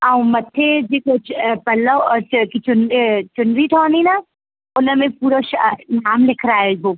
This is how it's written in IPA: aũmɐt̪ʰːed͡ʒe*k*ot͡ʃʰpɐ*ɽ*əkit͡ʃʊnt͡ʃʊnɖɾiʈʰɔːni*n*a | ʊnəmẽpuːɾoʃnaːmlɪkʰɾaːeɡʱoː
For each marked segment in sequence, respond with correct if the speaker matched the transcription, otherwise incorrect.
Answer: correct, incorrect: l, correct

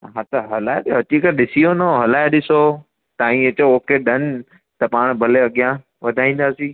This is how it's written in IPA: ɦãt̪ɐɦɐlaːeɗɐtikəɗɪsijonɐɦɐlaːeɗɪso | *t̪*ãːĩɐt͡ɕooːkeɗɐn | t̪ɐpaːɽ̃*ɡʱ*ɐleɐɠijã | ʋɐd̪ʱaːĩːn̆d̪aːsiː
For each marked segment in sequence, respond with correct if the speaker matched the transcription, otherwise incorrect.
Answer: correct, incorrect: bʱ

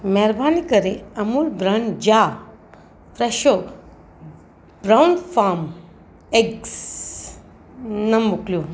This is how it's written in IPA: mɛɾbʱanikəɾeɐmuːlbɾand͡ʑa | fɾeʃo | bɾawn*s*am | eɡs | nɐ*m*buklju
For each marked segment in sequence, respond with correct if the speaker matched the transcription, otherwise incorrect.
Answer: incorrect: f, correct

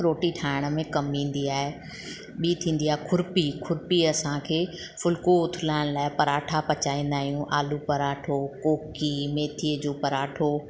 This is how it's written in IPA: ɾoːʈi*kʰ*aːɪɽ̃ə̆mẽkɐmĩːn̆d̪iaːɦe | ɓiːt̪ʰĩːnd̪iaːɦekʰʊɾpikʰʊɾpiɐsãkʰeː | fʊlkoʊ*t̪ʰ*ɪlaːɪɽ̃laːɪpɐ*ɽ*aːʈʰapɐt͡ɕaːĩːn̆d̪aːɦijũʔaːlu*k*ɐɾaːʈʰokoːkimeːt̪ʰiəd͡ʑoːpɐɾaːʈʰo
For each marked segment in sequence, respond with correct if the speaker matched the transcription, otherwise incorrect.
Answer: incorrect: ʈʰ, correct, incorrect: ɾ, incorrect: p

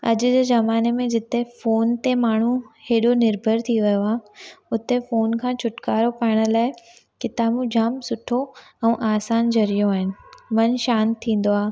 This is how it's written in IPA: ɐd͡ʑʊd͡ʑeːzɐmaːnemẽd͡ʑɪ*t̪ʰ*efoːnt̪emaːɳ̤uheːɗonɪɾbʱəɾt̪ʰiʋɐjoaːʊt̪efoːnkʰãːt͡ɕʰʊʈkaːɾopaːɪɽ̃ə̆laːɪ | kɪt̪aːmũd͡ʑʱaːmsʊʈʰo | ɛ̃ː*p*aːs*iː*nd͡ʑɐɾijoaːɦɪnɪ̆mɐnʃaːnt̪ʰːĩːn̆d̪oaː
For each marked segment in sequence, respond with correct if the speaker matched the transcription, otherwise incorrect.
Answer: incorrect: t̪, incorrect: ʔ, incorrect: aː

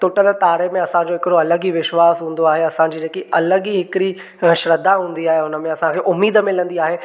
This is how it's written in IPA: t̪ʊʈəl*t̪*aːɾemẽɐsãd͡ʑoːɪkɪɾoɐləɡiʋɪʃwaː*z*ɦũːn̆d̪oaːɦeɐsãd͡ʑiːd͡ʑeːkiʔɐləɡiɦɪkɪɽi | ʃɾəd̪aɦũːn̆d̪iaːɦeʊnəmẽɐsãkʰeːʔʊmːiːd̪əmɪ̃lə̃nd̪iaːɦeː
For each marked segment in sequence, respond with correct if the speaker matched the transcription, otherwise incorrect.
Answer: correct, incorrect: s

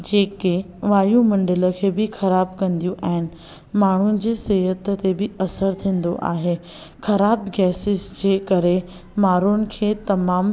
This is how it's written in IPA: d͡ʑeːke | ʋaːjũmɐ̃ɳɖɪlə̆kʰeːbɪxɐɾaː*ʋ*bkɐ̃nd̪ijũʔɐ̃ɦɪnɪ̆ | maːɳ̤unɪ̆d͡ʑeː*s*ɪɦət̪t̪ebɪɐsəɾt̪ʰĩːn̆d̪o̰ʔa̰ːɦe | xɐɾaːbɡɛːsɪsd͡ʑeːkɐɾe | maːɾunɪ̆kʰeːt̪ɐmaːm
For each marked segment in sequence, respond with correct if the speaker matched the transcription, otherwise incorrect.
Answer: incorrect: none, correct

